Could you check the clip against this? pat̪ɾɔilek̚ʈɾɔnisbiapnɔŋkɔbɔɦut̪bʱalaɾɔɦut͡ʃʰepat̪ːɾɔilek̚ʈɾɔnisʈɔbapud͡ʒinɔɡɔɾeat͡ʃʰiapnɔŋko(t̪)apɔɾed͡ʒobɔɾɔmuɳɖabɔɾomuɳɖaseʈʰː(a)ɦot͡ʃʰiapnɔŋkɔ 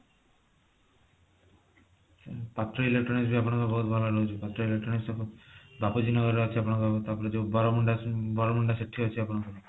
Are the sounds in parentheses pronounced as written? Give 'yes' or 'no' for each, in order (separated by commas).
yes, no